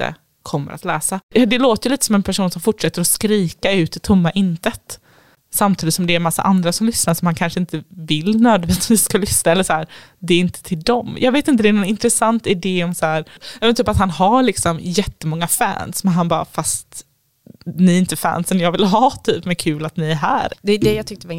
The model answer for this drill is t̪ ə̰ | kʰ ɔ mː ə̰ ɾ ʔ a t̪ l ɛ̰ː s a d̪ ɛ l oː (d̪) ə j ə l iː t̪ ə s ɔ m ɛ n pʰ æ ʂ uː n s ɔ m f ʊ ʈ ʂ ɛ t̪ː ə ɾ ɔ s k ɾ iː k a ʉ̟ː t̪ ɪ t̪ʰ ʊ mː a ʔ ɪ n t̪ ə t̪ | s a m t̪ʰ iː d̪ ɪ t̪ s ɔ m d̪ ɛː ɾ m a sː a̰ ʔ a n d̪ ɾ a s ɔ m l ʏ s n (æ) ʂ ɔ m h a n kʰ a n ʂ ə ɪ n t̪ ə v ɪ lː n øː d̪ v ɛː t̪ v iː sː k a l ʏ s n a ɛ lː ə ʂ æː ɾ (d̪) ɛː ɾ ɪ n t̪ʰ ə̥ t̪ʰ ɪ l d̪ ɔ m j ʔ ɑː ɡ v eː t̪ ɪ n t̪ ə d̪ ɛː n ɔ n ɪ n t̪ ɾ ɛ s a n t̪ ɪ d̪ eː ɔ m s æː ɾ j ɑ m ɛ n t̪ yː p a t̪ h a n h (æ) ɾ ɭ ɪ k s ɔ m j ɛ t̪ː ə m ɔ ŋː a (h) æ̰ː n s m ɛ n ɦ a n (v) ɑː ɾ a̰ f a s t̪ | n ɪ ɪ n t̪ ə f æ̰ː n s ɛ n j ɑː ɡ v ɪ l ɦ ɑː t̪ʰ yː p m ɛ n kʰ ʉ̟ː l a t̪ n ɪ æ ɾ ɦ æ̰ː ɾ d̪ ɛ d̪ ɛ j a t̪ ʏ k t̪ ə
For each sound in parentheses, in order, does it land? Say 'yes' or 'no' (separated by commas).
no, no, yes, no, no, no